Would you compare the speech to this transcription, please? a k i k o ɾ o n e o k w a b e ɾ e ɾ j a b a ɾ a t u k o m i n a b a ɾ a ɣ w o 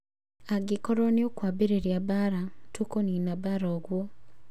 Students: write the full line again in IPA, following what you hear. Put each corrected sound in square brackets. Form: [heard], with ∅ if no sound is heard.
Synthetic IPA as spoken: a [ɡ] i k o ɾ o n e o k w a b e ɾ e ɾ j a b a ɾ a t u k o [n] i n a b a ɾ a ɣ w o